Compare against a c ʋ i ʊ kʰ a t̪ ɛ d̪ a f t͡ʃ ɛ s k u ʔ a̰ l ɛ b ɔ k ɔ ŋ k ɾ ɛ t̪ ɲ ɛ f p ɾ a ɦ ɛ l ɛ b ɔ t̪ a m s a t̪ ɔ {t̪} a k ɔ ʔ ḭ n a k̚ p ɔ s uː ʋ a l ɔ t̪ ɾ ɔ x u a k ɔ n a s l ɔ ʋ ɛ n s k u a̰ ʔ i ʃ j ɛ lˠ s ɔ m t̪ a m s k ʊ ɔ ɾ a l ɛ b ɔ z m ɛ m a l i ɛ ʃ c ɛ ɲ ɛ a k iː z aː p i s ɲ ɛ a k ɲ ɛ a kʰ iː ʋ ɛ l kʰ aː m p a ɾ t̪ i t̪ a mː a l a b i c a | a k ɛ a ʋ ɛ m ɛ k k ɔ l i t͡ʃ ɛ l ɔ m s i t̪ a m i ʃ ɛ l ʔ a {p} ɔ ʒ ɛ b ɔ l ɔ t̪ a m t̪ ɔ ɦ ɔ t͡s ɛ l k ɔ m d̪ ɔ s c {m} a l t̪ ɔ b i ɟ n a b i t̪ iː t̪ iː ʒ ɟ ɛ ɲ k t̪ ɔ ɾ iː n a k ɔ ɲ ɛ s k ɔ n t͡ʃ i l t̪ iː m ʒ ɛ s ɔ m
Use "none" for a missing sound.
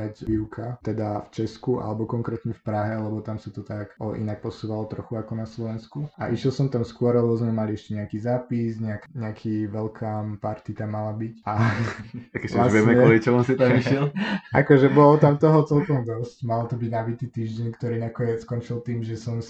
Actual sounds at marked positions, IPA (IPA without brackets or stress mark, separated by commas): t̪, k, m